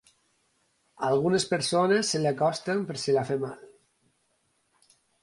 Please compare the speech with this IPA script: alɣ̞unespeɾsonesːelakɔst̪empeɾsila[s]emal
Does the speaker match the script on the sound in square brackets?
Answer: no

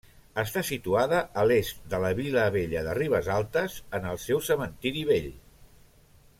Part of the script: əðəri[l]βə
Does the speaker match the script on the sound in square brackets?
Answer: no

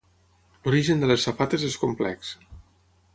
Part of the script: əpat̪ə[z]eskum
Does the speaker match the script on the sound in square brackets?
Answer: yes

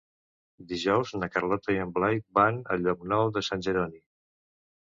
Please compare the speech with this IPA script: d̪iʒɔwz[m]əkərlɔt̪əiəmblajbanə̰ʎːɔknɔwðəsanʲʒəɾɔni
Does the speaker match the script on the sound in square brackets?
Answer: no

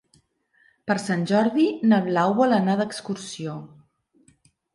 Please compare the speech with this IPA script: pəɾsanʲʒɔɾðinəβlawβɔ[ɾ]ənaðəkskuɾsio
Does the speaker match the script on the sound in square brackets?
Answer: no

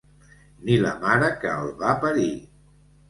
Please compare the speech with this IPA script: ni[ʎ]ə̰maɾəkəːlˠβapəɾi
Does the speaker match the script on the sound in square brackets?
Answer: no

